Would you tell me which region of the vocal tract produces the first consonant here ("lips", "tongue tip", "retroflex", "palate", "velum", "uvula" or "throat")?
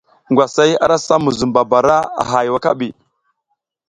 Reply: velum